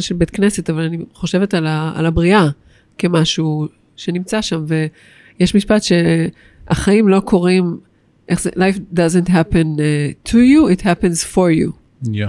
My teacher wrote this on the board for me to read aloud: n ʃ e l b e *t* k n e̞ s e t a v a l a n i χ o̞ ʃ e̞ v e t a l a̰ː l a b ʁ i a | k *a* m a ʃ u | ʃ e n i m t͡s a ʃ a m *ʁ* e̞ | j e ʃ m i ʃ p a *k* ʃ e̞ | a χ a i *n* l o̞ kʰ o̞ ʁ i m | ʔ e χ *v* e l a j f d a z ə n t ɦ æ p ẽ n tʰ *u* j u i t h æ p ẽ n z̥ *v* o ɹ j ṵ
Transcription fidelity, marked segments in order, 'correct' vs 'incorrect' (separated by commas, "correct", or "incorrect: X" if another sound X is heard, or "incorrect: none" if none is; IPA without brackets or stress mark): correct, incorrect: e, incorrect: v, incorrect: t, incorrect: m, incorrect: z, correct, incorrect: f